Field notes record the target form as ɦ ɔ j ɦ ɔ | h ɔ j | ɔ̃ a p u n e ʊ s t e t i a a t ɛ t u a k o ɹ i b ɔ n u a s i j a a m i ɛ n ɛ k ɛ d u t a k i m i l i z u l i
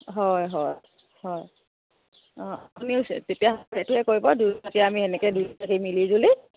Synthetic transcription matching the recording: ɦ ɔ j ɦ ɔ | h ɔ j | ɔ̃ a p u n i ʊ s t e t i a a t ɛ t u ɛ k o ɹ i b ɔ d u a t i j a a m i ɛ n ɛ k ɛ d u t a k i m i l i z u l i